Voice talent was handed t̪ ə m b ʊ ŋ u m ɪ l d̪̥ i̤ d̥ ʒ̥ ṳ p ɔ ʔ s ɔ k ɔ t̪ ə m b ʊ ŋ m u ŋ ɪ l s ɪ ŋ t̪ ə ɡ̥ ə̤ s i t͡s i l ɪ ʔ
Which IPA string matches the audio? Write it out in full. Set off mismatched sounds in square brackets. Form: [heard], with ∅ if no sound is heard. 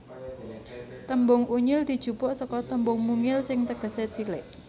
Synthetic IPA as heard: t̪ ə m b ʊ ŋ u [ɲ] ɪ l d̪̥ i̤ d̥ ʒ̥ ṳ p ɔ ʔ s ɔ k ɔ t̪ ə m b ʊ ŋ m u ŋ ɪ l s ɪ ŋ t̪ ə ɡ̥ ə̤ s [e] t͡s i l ɪ ʔ